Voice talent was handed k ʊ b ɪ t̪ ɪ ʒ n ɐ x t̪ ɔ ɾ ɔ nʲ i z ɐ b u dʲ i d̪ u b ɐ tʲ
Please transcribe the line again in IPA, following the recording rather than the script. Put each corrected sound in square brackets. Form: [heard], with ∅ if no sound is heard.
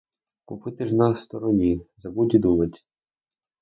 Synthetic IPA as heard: k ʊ [p] ɪ t̪ ɪ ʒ n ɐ [s] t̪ ɔ ɾ ɔ nʲ i z ɐ b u dʲ i d̪ u [m] ɐ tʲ